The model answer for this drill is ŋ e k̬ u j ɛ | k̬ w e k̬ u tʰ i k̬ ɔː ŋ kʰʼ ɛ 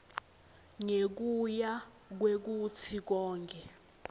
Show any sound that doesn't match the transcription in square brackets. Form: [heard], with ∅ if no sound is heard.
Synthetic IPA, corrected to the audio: ŋ e k̬ u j [a] | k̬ w e k̬ u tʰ i k̬ ɔː ŋ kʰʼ ɛ